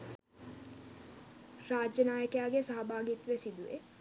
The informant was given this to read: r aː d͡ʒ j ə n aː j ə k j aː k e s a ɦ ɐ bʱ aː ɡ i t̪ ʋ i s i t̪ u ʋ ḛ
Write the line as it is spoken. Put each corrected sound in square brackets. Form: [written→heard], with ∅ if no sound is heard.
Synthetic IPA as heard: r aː d͡ʒ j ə n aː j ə k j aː [k→ɡ] e s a ɦ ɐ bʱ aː ɡ i t̪ ʋ [i→e] s i [t̪→d̪] u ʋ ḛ